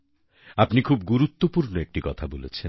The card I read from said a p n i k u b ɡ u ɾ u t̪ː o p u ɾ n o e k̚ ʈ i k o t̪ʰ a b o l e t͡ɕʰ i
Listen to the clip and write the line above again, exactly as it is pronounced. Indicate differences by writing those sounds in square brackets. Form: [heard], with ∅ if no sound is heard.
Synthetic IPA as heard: a p n i [kʰ] u b ɡ u ɾ u t̪ː o p u ɾ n o e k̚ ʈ i k [ɔ] t̪ʰ a b o l e t͡ɕʰ [e]